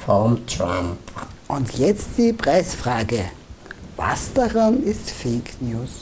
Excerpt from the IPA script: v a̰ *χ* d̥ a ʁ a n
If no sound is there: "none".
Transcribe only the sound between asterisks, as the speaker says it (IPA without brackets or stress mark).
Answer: s